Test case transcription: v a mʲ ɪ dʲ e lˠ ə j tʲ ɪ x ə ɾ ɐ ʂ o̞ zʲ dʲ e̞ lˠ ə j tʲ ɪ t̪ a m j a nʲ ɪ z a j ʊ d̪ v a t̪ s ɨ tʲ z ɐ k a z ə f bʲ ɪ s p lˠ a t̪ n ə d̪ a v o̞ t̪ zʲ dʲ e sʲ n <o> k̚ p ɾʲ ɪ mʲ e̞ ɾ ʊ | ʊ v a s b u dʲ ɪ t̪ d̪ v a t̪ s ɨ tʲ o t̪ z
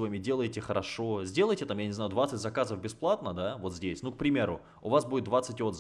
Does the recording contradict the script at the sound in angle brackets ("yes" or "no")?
yes